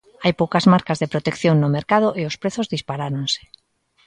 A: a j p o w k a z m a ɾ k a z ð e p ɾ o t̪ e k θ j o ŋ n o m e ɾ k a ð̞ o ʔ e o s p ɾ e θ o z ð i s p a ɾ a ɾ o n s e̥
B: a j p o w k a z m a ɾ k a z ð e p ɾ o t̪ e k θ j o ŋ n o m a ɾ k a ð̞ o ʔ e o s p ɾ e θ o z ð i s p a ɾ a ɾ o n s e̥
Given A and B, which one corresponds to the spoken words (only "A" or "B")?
A